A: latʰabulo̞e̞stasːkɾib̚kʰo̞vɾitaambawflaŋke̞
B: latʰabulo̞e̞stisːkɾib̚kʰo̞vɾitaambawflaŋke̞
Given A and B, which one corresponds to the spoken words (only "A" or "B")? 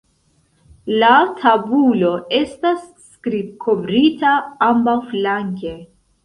A